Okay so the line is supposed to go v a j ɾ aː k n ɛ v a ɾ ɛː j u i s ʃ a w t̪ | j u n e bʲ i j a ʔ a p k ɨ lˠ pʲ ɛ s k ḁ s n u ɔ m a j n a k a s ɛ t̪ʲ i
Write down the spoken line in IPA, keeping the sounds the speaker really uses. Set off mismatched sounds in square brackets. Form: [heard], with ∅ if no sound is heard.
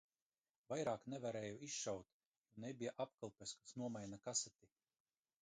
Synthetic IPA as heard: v a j ɾ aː k n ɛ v a ɾ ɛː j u i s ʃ a w t̪ | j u n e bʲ i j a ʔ a p k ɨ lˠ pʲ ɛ s k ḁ s n u ɔ m a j n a k a s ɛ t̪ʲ i